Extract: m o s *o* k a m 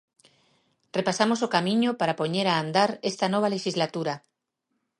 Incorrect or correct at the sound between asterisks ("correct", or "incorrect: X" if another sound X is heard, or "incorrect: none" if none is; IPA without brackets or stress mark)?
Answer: correct